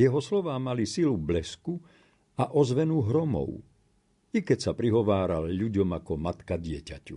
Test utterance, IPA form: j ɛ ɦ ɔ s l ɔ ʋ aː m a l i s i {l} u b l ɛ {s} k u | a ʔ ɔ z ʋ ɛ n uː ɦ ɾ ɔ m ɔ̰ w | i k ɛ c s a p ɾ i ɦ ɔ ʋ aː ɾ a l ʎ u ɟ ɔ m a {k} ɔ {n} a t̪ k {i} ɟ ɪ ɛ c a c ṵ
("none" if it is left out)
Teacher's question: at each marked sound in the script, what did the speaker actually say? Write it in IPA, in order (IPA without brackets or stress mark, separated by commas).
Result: l, s, k, m, a